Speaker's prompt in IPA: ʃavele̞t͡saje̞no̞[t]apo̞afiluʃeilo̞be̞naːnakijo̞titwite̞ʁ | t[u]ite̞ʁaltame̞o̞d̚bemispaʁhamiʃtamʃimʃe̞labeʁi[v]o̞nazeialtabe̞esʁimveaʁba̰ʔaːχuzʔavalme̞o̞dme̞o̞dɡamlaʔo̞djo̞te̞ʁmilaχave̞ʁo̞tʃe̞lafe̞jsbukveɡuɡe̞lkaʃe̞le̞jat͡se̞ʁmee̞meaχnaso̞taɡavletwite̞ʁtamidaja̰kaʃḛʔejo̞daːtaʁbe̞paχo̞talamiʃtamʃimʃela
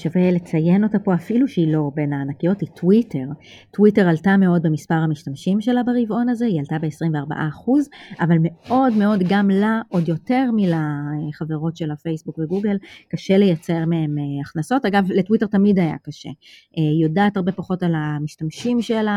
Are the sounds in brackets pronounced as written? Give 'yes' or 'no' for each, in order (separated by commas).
yes, no, yes